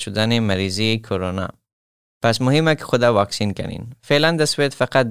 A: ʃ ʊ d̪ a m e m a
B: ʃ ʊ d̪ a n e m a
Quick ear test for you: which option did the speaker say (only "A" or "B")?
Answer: B